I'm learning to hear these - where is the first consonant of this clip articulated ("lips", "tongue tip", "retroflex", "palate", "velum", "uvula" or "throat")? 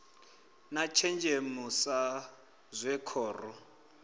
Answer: tongue tip